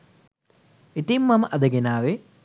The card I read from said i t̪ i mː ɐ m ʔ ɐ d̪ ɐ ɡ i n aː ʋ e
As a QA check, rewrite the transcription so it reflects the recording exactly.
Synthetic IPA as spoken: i t̪ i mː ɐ m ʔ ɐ d̪ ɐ ɡ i n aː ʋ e